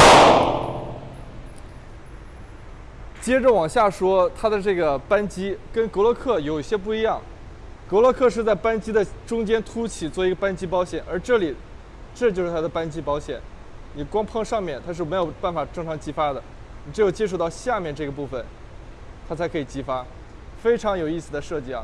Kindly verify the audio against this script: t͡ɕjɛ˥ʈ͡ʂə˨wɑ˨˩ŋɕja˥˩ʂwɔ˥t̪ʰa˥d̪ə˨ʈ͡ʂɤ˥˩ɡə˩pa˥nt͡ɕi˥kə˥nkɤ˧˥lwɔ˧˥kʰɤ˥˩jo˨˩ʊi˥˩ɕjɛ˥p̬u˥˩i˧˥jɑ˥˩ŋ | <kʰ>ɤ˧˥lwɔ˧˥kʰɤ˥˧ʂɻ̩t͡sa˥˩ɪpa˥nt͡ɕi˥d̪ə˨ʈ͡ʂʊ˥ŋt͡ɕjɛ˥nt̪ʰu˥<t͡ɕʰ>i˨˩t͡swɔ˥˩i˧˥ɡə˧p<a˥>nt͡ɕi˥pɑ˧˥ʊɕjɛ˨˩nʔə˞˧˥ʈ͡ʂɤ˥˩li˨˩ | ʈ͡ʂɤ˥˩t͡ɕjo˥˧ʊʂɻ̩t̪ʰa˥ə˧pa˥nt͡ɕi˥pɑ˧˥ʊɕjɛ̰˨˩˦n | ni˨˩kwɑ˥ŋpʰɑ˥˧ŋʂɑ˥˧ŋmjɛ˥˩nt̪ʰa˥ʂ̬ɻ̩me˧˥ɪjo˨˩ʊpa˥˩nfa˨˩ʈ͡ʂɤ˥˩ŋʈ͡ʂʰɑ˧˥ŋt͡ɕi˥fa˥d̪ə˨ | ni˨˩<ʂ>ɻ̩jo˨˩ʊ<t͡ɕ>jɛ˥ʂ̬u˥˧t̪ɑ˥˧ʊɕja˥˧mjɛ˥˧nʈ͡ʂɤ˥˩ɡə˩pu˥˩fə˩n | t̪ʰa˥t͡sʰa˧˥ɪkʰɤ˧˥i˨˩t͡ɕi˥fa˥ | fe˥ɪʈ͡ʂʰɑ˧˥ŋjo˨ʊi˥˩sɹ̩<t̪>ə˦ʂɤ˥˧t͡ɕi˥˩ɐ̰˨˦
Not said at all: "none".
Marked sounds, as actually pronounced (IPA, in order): k, t͡ɕʰ, a˥, ʈ͡ʂ, t͡ɕ, d̪

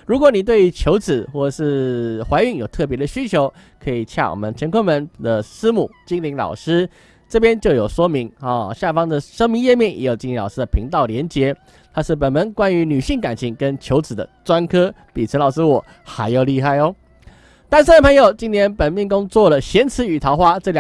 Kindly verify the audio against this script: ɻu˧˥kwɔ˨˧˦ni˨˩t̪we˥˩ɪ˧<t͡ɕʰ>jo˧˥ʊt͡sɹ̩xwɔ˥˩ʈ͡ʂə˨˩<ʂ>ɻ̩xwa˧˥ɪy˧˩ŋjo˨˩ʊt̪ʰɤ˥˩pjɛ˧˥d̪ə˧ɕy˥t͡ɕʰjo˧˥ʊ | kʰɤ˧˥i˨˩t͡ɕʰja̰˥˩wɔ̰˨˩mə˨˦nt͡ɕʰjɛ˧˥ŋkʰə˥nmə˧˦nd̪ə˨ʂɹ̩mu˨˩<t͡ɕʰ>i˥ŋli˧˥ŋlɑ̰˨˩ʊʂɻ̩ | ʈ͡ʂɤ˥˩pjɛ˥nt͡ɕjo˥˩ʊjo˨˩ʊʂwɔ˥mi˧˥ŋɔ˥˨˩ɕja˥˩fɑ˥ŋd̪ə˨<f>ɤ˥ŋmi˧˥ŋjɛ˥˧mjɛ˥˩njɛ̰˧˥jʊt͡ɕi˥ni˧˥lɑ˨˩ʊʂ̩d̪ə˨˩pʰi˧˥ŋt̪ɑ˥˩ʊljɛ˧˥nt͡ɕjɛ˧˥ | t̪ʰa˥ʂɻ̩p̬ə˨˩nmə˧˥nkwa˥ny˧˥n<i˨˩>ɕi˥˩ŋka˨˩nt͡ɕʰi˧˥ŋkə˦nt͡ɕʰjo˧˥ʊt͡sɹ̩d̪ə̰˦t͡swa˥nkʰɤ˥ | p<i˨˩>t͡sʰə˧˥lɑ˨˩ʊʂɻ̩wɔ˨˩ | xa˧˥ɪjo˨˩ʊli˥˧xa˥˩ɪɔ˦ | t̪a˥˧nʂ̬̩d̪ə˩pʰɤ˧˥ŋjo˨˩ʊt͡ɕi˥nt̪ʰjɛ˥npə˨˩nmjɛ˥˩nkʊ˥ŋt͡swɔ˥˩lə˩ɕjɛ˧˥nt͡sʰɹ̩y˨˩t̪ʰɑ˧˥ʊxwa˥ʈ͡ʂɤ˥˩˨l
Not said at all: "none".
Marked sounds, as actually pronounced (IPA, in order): t͡ɕʰ, ʂ, t͡ɕ, ʂ, y˨˩, i˨˩

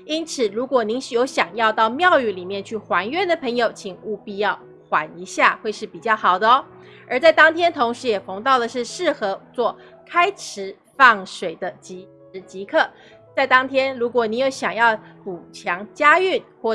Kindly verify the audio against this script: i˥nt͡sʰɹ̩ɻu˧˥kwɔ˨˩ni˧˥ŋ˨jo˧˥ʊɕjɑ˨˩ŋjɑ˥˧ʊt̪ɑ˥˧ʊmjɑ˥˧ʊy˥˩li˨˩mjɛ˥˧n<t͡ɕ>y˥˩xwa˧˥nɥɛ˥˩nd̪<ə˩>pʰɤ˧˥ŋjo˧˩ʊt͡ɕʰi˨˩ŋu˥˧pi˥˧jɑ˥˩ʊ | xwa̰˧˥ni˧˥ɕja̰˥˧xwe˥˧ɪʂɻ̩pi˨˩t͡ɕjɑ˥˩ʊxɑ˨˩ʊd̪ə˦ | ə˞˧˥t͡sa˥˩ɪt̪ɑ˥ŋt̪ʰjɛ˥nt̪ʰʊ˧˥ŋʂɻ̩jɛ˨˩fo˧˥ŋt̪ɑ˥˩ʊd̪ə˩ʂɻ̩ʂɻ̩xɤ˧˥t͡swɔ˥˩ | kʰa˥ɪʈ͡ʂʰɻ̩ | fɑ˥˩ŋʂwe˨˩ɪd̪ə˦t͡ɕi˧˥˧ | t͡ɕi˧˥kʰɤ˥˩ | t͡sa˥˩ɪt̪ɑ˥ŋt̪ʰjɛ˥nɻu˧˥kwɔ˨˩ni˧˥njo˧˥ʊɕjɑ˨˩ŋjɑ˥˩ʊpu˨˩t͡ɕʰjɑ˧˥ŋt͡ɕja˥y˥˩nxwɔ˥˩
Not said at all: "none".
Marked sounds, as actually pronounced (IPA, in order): t͡ɕʰ, ə˩

